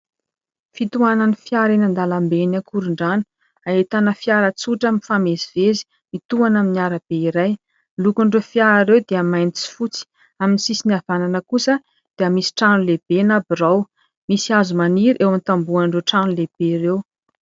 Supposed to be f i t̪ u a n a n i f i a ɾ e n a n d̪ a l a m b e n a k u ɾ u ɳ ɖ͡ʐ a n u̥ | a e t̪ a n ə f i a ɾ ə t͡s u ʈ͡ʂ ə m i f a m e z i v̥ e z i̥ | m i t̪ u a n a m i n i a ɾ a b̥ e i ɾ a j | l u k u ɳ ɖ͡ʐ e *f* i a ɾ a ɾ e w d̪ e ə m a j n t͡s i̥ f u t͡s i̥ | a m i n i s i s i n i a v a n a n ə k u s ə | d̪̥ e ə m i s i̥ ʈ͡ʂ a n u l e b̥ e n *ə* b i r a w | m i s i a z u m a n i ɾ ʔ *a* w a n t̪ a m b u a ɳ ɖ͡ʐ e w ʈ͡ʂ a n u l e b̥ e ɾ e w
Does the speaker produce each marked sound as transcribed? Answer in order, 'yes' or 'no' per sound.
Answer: yes, no, no

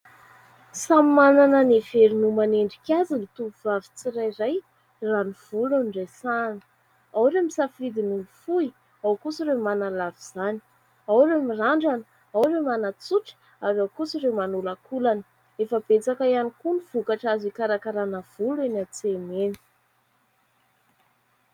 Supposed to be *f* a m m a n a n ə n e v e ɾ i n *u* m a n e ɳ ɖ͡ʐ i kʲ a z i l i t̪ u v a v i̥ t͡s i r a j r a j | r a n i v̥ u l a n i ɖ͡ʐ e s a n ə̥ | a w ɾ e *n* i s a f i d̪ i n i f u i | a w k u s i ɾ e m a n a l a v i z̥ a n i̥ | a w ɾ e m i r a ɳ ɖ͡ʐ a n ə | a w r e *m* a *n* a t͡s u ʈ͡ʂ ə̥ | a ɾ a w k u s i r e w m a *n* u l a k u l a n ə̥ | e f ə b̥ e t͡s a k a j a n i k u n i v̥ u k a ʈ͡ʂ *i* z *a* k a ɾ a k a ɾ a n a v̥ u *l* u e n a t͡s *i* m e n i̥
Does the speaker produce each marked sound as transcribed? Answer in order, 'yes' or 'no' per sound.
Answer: no, yes, no, yes, yes, yes, no, no, yes, no

